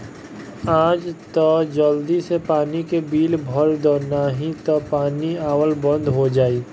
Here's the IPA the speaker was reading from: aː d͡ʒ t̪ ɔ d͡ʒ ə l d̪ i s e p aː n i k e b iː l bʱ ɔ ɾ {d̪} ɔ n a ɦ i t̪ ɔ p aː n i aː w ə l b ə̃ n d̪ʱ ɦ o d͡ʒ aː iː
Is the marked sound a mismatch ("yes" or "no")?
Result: no